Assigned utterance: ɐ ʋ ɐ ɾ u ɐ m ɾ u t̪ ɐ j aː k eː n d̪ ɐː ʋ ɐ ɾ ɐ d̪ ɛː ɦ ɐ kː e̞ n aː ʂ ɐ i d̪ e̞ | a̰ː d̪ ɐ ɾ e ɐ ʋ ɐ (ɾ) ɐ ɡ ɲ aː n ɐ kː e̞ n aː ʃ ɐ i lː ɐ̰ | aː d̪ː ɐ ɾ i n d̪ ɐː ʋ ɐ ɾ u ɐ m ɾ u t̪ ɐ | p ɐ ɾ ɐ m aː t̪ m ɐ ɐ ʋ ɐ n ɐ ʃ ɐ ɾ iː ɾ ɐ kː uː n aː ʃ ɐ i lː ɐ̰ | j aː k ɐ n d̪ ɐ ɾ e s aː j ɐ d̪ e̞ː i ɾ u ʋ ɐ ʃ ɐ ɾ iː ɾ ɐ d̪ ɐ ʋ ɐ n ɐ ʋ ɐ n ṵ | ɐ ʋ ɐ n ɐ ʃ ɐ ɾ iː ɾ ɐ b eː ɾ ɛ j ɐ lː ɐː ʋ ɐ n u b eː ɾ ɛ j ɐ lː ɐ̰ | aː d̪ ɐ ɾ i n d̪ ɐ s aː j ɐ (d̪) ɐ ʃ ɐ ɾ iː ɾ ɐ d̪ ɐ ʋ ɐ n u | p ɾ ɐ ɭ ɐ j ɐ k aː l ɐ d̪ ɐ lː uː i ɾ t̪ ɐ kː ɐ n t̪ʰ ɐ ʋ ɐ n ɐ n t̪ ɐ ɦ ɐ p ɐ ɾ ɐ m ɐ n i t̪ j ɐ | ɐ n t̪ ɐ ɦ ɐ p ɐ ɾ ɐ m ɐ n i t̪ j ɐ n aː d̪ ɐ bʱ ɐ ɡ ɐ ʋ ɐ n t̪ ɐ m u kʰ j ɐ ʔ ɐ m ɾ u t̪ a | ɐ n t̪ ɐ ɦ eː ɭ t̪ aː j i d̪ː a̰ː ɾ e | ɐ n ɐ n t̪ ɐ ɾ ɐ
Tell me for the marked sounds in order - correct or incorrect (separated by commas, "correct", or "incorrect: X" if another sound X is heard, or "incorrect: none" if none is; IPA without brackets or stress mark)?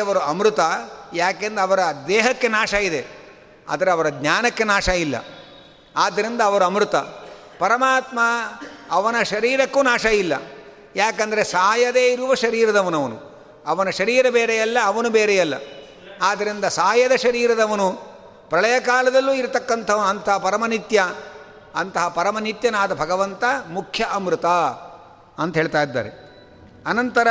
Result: correct, correct